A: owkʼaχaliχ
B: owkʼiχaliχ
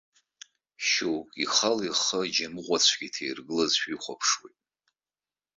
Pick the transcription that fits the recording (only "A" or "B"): B